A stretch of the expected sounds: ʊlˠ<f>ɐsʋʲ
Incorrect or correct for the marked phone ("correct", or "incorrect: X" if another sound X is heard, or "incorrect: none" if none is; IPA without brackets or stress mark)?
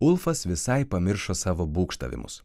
correct